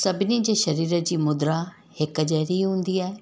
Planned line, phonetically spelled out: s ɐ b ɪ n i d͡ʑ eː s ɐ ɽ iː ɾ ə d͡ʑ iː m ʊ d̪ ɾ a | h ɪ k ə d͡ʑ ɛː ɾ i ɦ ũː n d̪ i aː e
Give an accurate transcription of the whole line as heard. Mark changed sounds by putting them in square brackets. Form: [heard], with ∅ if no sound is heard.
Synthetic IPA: s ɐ b ɪ n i d͡ʑ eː [ʃ] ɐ [ɾ] iː ɾ ə d͡ʑ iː m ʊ d̪ ɾ a | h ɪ k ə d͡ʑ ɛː ɾ i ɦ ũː n d̪ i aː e